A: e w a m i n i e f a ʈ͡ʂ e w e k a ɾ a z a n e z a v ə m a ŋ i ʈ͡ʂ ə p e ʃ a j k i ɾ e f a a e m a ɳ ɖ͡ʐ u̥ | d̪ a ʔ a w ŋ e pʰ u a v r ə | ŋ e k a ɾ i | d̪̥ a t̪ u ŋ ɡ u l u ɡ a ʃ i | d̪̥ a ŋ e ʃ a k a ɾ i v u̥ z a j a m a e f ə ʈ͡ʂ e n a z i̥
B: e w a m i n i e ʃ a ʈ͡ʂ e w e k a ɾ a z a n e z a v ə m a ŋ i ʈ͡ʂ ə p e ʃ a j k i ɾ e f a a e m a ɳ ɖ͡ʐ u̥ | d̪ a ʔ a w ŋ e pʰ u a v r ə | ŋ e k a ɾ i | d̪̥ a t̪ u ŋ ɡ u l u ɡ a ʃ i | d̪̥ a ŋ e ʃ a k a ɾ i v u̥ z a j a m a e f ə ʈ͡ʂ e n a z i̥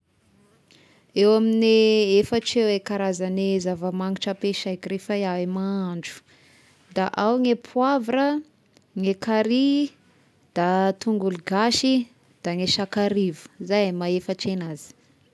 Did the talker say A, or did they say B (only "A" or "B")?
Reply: A